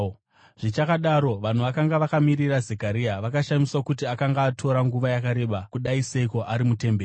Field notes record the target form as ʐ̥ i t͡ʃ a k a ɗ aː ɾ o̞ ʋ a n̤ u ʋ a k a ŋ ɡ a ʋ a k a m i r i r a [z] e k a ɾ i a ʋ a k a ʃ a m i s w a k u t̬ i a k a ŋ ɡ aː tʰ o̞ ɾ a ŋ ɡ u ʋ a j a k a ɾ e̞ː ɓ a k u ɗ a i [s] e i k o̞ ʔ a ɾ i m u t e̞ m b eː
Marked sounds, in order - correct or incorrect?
correct, correct

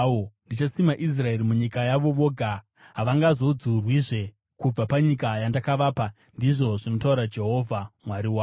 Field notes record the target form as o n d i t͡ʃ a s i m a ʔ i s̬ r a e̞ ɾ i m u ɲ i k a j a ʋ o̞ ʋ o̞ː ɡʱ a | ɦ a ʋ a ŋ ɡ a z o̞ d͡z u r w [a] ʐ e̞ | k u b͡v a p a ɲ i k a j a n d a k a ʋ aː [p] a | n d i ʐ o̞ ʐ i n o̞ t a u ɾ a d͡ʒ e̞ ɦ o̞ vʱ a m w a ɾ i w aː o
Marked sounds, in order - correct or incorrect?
incorrect: i, correct

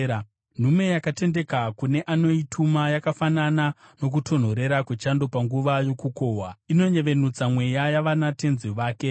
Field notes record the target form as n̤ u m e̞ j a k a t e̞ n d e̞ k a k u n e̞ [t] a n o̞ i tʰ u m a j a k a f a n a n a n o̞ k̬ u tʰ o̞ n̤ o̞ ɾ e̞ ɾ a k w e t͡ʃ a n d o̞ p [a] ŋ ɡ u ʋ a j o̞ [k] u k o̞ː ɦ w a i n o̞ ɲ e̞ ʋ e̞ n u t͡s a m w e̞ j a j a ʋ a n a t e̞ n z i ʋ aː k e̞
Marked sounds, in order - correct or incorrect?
incorrect: ʔ, correct, correct

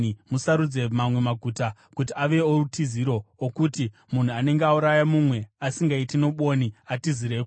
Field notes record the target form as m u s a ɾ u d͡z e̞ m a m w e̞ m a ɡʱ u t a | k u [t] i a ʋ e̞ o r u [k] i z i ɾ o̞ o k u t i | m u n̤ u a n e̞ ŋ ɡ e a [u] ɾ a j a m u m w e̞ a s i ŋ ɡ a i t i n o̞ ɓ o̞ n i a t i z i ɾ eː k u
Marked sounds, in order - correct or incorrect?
correct, incorrect: t, correct

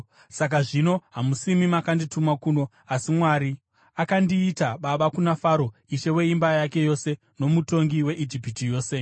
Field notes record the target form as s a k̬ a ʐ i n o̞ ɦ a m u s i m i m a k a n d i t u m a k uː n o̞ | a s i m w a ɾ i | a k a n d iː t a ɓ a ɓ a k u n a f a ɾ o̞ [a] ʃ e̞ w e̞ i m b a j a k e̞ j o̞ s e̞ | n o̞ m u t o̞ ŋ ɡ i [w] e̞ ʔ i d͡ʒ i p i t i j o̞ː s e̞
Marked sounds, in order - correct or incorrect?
incorrect: i, correct

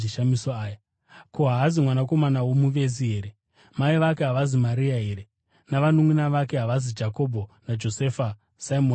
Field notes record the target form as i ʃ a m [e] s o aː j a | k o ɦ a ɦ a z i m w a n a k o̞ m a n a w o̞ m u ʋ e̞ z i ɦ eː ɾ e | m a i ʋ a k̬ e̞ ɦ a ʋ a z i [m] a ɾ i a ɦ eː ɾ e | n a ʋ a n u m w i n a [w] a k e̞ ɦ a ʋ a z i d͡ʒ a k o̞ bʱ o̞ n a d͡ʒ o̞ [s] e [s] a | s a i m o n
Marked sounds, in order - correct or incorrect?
incorrect: i, correct, incorrect: ʋ, correct, incorrect: f

